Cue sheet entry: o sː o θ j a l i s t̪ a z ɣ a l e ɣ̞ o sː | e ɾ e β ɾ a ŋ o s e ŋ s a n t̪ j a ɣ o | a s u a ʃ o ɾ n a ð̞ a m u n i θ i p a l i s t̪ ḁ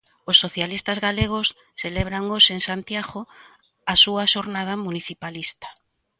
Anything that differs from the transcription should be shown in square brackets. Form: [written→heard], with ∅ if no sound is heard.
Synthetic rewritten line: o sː o θ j a l i s t̪ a z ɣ a l e ɣ̞ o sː | e [ɾ→l] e β ɾ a ŋ o s e ŋ s a n t̪ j a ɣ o | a s u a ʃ o ɾ n a ð̞ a m u n i θ i p a l i s t̪ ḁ